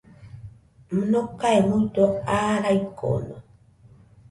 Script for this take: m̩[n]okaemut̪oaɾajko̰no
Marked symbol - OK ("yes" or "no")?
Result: yes